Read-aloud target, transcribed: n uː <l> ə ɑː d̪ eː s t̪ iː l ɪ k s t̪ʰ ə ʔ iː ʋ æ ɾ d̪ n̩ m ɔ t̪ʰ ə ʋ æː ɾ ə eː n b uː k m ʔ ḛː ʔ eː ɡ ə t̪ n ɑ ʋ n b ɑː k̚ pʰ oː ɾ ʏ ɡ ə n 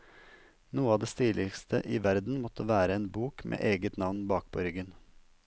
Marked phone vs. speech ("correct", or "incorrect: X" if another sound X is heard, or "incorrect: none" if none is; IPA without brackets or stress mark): incorrect: none